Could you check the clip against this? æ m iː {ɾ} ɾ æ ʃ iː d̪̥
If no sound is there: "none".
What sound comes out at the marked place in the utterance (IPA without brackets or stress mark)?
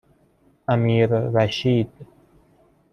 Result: ɾ